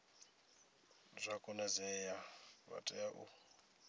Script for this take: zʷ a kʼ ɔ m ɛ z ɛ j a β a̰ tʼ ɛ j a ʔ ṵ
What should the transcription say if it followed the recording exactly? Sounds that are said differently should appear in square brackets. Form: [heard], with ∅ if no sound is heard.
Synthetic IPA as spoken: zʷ a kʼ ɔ [n] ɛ z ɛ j a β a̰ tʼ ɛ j a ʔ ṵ